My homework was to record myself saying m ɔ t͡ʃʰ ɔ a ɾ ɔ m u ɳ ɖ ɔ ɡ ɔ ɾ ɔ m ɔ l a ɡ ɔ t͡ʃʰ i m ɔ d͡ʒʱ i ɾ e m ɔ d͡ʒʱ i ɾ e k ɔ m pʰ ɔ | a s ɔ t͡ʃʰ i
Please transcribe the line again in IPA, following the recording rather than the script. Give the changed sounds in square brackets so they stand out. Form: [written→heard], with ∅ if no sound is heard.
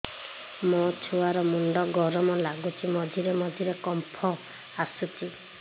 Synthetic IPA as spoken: m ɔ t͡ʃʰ [ɔ→u] a ɾ ɔ m u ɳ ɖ ɔ ɡ ɔ ɾ ɔ m ɔ l a ɡ [ɔ→u] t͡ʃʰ i m ɔ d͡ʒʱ i ɾ e m ɔ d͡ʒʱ i ɾ e k ɔ m pʰ ɔ | a s [ɔ→u] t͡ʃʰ i